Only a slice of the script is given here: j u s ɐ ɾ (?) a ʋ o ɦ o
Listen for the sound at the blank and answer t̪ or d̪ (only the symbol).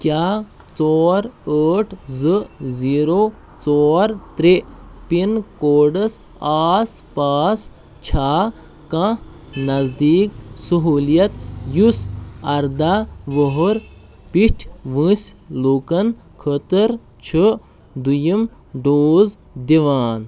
d̪